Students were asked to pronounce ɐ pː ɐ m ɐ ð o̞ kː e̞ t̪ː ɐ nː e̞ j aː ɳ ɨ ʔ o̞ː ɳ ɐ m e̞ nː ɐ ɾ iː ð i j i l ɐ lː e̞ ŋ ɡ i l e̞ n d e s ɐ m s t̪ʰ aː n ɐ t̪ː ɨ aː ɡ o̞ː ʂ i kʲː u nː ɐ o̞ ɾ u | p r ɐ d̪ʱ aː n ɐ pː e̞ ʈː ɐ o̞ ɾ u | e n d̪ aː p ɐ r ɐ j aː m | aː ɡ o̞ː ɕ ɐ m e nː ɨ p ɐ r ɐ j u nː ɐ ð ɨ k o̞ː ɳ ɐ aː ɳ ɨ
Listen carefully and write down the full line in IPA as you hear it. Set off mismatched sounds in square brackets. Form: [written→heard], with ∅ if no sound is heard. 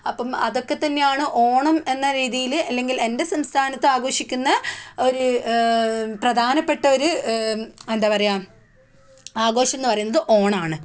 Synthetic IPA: ɐ pː ɐ m ɐ ð o̞ kː e̞ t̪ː ɐ nː e̞ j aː ɳ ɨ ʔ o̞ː ɳ ɐ m e̞ nː ɐ ɾ iː ð i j i l ɐ lː e̞ ŋ ɡ i l e̞ n d e s ɐ m s t̪ʰ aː n ɐ t̪ː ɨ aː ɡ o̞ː ʂ i kʲː u nː ɐ o̞ ɾ u | p r ɐ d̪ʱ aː n ɐ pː e̞ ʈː ɐ o̞ ɾ u | e n d̪ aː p ɐ r ɐ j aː m | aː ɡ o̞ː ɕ ɐ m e nː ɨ p ɐ r ɐ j u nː ɐ ð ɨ [k→ʔ] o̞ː ɳ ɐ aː ɳ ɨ